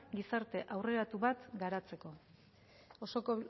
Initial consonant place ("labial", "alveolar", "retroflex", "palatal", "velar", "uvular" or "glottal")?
velar